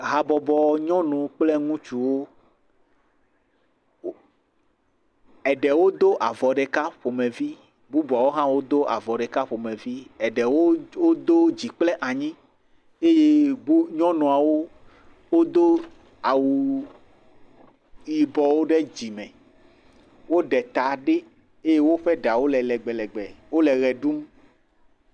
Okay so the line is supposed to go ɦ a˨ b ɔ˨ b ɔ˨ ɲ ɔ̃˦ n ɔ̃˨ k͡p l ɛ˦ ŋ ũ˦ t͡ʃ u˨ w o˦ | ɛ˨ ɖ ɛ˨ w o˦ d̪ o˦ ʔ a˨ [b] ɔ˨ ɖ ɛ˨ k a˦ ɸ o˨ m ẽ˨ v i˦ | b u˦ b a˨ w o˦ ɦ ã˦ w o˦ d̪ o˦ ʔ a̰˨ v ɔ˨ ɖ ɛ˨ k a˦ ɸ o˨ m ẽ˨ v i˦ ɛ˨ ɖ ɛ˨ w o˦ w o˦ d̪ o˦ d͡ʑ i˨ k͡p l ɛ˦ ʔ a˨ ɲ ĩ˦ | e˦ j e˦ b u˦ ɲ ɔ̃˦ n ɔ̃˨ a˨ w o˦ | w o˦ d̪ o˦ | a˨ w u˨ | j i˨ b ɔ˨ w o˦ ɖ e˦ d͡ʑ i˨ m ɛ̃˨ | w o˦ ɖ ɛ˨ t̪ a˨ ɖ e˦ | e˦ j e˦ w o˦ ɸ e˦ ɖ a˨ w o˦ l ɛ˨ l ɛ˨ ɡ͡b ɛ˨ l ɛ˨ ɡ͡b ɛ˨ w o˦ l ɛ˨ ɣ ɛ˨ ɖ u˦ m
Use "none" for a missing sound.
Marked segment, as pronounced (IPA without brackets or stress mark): v